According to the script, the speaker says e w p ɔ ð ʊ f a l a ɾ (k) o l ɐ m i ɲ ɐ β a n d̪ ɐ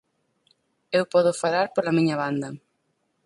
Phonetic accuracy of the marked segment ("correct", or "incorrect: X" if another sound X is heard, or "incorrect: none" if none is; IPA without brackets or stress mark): incorrect: p